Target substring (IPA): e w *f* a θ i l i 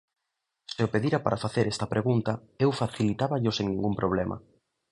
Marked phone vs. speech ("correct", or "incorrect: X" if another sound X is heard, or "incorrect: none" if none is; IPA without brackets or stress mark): correct